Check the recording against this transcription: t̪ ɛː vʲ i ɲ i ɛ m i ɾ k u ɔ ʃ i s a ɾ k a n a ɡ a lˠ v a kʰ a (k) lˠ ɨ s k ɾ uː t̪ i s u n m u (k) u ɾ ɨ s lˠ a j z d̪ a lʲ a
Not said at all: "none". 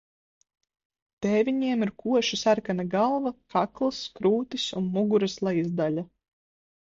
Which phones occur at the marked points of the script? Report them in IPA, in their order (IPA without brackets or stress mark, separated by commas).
k, ɡ